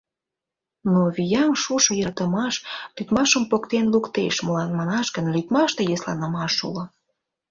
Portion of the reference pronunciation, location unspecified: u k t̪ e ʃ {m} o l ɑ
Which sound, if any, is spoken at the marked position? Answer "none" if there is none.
m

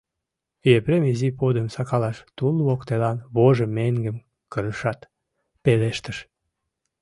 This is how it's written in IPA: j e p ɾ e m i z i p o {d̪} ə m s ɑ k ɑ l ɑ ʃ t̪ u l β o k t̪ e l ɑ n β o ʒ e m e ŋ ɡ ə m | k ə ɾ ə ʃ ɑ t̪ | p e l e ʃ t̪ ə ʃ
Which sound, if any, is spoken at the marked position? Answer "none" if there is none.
d̪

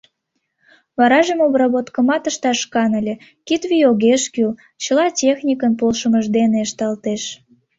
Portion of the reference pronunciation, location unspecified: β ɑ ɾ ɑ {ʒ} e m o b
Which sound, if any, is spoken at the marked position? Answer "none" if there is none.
ʒ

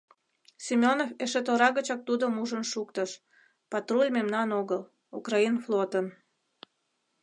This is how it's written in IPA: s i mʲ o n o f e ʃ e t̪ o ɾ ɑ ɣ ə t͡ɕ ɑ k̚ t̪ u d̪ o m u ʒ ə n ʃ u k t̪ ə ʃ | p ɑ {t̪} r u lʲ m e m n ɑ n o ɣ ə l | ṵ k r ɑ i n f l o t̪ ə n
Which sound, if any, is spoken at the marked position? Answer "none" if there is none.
t̪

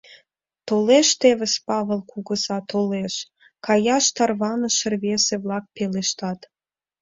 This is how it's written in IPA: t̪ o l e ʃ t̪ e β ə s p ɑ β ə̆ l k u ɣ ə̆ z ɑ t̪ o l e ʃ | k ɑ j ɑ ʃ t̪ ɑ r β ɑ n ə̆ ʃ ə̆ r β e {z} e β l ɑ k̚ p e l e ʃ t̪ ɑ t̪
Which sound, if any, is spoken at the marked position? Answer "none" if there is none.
s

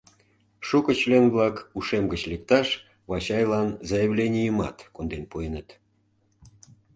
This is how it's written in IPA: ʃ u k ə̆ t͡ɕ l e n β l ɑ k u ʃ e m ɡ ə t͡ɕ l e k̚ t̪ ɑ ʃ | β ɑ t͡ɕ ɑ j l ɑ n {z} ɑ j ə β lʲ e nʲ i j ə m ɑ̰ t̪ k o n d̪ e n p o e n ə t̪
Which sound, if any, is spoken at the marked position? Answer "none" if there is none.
z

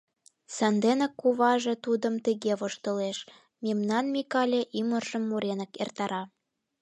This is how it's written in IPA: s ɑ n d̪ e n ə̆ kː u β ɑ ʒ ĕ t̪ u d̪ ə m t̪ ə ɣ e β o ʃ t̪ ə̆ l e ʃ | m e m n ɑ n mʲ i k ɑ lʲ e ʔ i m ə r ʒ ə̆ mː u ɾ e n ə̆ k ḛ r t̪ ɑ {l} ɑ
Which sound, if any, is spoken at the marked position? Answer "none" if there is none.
ɾ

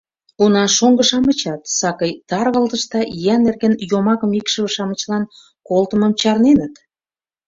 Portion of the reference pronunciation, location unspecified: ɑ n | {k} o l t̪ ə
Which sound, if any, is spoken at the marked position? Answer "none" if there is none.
k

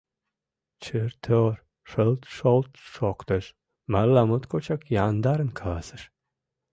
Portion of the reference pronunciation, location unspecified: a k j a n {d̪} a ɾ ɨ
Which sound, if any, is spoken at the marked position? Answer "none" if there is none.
d̪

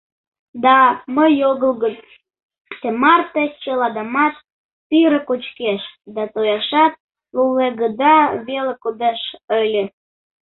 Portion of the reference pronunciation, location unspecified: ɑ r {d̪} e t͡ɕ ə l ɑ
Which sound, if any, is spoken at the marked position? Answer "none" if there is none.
t̪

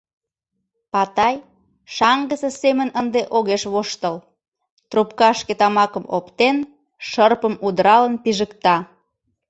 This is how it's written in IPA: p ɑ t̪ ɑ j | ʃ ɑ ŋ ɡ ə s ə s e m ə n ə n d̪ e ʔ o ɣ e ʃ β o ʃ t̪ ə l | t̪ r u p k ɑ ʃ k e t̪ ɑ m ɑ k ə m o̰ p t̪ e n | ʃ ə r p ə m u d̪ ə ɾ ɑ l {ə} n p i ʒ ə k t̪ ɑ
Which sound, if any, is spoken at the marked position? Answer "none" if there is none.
ə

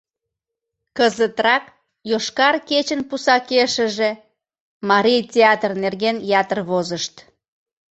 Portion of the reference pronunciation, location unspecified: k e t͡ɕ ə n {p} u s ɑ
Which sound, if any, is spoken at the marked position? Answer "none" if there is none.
p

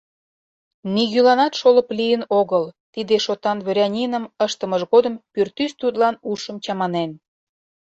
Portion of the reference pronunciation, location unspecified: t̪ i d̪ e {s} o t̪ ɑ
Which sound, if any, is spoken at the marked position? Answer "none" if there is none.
ʃ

